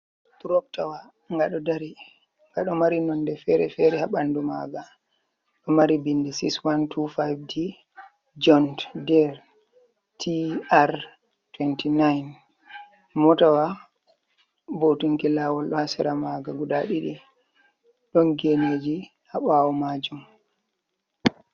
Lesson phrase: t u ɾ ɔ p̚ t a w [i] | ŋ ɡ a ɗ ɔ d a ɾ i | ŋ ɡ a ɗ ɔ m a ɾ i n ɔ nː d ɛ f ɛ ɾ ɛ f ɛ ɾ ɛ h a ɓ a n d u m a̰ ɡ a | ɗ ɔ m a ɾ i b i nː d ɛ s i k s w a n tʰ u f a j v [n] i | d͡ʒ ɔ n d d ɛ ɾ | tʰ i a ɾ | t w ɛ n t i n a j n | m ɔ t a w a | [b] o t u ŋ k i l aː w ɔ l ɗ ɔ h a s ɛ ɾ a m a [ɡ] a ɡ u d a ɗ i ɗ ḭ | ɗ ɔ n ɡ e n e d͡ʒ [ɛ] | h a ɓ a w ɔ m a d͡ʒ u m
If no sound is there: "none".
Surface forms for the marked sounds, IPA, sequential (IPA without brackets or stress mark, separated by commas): a, d, b, ɡ, i